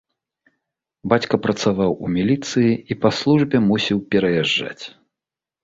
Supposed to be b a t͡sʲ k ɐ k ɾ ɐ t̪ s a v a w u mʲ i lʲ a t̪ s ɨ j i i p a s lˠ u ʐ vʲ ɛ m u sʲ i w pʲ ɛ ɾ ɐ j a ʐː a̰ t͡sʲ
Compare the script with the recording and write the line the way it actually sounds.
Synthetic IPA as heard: b a t͡sʲ k ɐ p ɾ ɐ t̪ s a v a w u mʲ i lʲ i t̪ s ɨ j i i p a s lˠ u ʐ bʲ ɛ m u sʲ i w pʲ ɛ ɾ ɐ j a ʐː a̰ t͡sʲ